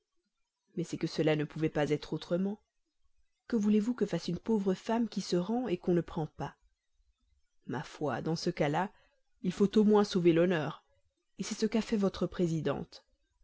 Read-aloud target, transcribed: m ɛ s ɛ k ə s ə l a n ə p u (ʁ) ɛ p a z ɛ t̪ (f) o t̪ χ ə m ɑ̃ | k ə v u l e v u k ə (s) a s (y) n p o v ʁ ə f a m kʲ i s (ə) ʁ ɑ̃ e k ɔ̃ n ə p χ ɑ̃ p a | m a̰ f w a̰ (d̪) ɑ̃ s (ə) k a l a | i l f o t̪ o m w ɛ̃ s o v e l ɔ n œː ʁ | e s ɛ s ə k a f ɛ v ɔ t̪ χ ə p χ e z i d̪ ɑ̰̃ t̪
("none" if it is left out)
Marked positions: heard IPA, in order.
v, χ, f, y, ə, d̪, ə

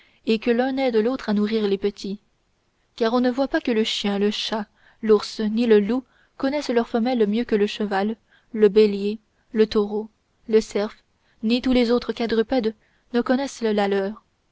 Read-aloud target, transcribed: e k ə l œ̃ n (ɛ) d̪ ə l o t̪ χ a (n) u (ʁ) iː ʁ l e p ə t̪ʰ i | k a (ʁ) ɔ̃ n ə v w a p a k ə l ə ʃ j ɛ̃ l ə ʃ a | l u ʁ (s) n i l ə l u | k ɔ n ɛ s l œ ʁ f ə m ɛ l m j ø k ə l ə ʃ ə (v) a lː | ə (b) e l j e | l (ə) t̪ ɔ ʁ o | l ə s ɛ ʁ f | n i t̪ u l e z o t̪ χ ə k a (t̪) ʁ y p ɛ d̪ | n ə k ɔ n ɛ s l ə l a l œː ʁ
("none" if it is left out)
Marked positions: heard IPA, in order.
ɛ, n, ʁ, ʁ, s, v, b, ə, d̪

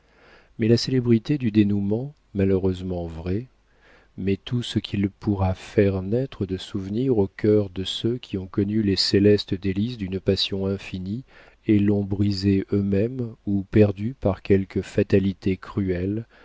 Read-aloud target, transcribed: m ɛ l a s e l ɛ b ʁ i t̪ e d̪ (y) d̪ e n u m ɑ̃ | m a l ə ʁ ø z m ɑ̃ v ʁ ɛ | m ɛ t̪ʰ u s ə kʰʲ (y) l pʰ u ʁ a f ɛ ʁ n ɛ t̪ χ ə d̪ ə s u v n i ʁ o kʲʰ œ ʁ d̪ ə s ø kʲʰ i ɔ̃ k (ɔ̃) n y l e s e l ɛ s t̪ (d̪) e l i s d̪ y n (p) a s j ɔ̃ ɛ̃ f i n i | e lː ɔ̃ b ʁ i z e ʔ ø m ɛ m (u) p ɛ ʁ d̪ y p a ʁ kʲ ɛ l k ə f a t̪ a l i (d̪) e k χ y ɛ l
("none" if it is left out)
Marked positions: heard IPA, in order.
y, i, ɔ, d̪, p, u, t̪

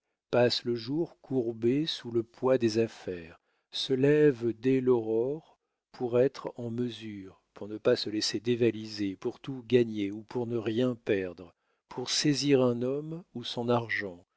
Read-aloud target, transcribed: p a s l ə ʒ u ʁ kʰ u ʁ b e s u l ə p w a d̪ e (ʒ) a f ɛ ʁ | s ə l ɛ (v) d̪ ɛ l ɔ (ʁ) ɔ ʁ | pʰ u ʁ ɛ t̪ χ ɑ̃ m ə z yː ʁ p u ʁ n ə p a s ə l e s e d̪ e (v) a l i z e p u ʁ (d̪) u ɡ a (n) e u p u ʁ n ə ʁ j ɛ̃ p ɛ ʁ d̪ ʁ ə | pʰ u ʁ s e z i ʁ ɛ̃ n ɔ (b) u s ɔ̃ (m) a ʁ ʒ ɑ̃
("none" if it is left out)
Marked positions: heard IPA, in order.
z, v, ʁ, v, t̪, ɲ, m, n

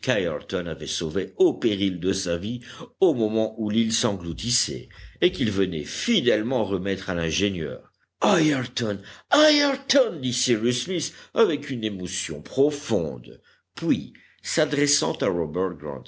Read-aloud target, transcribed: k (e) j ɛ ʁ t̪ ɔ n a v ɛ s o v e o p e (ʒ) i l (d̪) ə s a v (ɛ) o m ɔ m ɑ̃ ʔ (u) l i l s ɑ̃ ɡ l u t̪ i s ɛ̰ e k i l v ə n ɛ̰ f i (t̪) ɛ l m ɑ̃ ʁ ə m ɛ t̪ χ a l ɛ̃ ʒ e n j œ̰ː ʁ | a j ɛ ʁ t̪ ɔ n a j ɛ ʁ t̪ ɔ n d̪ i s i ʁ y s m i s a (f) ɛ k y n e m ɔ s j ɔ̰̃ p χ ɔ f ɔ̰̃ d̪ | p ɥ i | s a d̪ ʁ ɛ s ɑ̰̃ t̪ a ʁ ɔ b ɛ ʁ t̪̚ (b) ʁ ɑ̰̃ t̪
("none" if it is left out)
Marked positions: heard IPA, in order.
a, ʁ, d̪, i, u, d̪, v, ɡ

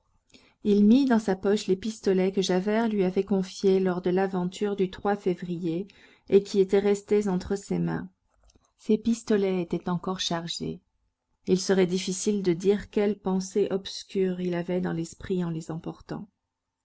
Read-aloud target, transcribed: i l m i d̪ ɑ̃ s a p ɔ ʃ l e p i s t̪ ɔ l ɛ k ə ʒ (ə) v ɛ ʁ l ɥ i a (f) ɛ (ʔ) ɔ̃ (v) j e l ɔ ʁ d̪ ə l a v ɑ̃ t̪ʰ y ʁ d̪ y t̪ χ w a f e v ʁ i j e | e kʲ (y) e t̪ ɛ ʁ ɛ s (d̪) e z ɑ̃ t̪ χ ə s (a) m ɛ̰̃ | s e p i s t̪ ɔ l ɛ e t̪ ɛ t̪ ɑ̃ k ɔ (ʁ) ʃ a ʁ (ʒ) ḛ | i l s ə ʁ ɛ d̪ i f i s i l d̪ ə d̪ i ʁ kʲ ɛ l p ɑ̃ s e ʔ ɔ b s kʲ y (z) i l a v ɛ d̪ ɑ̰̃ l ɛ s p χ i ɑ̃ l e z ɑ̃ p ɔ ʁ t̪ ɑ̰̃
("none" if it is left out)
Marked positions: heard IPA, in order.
a, v, k, f, i, t̪, e, ʁ, ʒ, ʁ

